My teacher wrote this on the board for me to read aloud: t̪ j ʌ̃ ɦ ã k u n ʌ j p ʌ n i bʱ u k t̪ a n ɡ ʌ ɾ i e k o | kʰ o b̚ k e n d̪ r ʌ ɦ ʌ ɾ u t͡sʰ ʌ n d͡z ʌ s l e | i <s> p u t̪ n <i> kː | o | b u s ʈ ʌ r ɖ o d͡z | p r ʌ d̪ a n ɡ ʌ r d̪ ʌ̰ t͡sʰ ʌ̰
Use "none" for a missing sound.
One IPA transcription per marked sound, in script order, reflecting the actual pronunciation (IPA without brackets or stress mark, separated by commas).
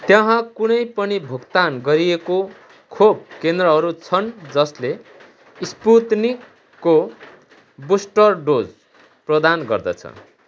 s, i